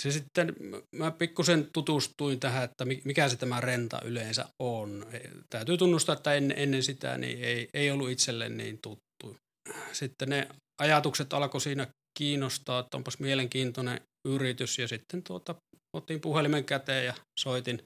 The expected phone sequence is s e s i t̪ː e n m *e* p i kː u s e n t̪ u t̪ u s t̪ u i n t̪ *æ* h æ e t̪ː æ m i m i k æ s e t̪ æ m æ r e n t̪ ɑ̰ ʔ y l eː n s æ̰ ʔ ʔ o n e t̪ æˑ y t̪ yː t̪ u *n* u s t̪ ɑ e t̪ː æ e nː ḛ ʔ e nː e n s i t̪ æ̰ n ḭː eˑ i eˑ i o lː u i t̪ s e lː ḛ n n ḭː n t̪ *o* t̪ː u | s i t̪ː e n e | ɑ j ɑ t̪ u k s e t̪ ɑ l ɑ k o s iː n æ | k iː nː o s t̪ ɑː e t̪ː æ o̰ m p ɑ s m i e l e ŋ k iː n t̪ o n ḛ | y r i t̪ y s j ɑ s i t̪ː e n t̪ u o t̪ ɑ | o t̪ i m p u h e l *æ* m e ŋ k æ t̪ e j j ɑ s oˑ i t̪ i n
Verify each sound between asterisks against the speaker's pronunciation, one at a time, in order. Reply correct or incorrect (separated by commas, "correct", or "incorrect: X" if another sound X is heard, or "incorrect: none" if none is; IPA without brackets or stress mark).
incorrect: æ, correct, incorrect: nː, incorrect: u, incorrect: i